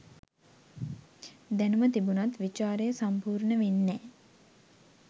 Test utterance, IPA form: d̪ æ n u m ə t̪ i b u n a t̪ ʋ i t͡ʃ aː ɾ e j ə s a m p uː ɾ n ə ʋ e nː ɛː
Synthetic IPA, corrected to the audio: d̪ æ n u m ə t̪ i b u n a t̪ ʋ i t͡ʃ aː ɾ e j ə s a m p uː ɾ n ə ʋ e nː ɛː